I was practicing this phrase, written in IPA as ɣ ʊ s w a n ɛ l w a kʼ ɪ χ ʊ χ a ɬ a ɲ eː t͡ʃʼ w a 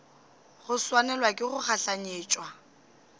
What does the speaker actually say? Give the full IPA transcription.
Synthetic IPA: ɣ ʊ s w a n ɛ l w a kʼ ɪ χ ʊ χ a ɬ a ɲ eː t͡ʃʼ w a